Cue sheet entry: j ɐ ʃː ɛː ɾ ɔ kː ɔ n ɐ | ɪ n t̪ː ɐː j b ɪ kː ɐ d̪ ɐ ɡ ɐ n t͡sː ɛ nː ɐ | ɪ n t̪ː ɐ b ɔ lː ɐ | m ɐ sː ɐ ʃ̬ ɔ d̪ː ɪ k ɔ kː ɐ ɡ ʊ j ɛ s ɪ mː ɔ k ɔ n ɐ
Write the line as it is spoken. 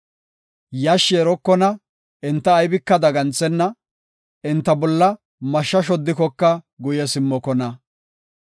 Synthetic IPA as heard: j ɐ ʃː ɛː ɾ ɔ kː ɔ n ɐ | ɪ n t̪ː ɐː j b ɪ kː ɐ d̪ ɐ ɡ ɐ n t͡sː ɛ nː ɐ | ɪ n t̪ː ɐ b ɔ lː ɐ | m ɐ ʃː ɐ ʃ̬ ɔ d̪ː ɪ k ɔ kː ɐ ɡ ʊ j ɛ s ɪ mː ɔ k ɔ n ɐ